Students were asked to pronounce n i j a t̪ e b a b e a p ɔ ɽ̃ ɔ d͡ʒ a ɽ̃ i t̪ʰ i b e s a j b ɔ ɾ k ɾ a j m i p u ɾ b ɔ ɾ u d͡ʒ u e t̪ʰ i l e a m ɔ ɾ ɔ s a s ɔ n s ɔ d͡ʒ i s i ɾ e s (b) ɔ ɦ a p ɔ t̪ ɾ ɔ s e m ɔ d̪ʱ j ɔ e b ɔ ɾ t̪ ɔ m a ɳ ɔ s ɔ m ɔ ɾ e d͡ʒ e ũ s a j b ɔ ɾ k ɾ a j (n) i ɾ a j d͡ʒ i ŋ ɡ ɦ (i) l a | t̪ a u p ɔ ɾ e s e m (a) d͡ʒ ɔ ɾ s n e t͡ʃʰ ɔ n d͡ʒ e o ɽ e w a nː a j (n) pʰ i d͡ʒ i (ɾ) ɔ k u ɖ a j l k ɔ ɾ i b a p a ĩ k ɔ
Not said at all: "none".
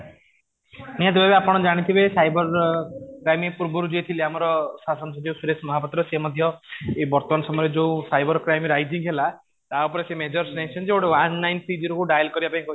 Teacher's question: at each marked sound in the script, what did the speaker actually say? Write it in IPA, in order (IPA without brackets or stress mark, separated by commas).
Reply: m, m, e, e, n, ɾ